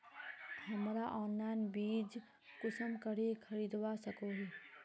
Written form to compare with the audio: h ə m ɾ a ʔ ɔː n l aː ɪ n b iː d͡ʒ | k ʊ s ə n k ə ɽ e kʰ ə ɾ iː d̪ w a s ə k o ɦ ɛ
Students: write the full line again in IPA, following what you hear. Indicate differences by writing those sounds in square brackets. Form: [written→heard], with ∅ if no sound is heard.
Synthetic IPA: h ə m ɾ a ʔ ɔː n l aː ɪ n b iː d͡ʒ | k ʊ s ə [n→m] k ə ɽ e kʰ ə ɾ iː d̪ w a s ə k o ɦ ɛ